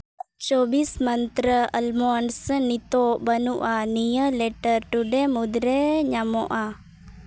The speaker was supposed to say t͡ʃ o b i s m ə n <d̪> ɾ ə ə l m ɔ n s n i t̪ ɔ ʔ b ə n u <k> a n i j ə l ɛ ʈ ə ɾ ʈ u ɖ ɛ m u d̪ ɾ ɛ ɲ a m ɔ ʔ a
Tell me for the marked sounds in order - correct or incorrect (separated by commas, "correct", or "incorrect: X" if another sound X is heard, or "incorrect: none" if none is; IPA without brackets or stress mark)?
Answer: incorrect: t̪, incorrect: ʔ